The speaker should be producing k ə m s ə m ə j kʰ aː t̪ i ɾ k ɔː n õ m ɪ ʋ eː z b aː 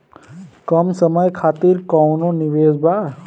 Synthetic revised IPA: k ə m s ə m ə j kʰ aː t̪ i ɾ k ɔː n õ n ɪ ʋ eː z b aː